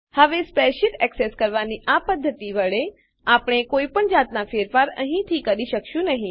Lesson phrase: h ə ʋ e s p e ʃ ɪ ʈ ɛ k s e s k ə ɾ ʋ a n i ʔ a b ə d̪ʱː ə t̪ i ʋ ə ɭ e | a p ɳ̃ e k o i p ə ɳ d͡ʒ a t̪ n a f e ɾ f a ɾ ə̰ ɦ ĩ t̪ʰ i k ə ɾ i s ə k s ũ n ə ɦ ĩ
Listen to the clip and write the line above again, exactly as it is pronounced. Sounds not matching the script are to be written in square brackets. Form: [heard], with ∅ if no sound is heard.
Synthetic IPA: h ə ʋ e s p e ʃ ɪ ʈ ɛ k s e s k ə ɾ ʋ a n i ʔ a [p] ə d̪ʱː ə t̪ i ʋ ə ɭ e | a p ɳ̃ e k o i p ə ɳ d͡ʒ a t̪ n a f e ɾ f a ɾ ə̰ ɦ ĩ t̪ʰ i k ə ɾ i [ʃ] ə k [ʃ] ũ n ə ɦ ĩ